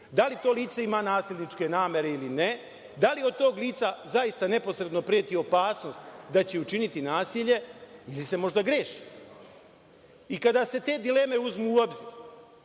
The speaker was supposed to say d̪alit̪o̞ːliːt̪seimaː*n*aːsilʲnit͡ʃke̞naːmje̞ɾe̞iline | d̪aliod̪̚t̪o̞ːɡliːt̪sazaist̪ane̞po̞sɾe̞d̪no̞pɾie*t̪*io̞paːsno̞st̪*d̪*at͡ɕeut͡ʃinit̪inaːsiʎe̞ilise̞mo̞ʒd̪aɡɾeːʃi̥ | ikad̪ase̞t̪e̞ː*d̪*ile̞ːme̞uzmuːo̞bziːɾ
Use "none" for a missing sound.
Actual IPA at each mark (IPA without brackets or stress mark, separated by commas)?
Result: n, t̪, d̪, d̪